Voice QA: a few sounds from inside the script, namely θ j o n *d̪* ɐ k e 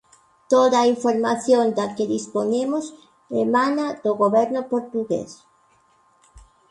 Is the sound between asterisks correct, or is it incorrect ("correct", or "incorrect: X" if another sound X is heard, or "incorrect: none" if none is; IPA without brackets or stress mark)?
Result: correct